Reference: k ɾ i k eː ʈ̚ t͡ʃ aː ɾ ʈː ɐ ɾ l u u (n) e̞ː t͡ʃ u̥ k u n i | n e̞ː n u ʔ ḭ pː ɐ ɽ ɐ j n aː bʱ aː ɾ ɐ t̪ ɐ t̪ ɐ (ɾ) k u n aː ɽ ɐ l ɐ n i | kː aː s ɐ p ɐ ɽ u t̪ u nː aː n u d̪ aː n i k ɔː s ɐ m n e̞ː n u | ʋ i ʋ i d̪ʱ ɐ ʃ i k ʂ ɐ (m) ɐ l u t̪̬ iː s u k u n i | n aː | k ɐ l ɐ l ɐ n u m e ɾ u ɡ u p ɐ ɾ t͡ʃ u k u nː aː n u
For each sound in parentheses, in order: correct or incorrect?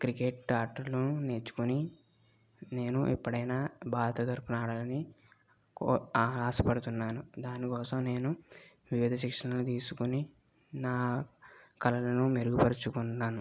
correct, correct, incorrect

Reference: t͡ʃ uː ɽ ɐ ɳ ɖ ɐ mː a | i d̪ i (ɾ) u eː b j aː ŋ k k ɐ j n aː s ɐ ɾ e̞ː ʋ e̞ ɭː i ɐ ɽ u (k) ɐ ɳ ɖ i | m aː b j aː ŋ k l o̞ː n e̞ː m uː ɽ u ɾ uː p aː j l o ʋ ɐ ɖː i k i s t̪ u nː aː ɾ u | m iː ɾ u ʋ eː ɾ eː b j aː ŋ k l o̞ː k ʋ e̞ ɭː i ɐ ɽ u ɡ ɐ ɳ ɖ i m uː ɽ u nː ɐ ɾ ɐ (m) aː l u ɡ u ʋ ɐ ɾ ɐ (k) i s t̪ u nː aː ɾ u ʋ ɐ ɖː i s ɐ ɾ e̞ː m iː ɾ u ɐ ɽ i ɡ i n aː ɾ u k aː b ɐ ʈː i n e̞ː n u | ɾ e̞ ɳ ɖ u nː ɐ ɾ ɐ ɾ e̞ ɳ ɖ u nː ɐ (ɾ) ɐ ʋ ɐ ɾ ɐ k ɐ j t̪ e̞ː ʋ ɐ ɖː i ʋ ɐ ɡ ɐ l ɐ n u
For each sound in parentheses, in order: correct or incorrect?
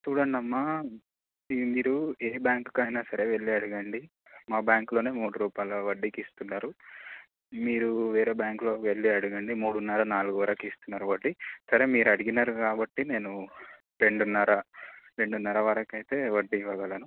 correct, incorrect, incorrect, correct, correct

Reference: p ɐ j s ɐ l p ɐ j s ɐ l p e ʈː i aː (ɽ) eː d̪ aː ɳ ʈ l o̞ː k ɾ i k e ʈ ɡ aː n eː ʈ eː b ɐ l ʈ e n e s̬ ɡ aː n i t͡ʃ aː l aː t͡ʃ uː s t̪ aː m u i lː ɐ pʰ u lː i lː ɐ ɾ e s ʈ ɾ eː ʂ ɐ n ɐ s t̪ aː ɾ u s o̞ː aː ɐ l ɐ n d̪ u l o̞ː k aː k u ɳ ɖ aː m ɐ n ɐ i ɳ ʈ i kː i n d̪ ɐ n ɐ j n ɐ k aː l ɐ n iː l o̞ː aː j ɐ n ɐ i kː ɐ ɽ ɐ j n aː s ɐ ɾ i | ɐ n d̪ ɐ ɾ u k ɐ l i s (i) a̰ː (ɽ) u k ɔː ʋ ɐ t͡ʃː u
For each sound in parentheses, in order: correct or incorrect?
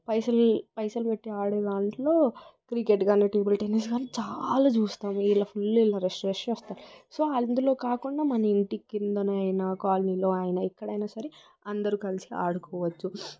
correct, correct, correct

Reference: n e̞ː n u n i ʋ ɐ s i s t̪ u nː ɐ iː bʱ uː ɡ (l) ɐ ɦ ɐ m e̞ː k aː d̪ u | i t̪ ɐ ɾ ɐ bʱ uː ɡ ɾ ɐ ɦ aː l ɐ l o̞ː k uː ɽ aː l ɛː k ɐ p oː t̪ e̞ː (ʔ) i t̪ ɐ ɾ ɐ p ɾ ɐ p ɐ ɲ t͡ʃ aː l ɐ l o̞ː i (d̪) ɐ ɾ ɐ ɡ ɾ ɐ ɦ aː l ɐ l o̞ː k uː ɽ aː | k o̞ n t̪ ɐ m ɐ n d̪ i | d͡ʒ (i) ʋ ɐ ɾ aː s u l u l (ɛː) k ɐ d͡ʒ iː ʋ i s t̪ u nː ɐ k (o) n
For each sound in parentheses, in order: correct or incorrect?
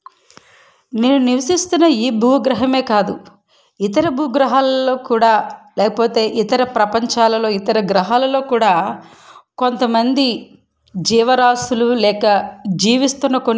incorrect, correct, incorrect, incorrect, correct, correct

